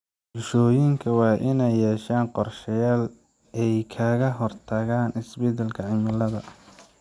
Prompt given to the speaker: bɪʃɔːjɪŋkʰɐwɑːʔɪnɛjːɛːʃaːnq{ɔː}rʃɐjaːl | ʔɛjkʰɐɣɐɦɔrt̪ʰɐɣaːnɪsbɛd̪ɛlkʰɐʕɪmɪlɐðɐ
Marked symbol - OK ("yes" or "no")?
no